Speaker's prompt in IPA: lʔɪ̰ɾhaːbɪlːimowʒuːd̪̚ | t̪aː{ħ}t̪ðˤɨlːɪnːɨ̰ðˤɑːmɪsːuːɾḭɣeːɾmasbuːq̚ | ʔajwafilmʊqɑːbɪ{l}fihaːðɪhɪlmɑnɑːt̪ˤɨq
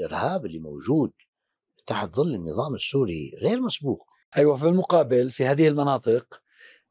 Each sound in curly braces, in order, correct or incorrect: correct, correct

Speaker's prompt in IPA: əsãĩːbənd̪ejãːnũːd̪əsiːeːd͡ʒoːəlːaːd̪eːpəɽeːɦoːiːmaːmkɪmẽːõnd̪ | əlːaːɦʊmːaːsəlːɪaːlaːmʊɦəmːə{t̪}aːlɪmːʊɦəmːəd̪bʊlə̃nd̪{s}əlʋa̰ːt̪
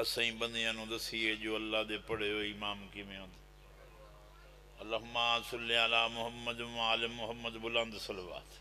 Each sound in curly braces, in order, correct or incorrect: incorrect: d̪, correct

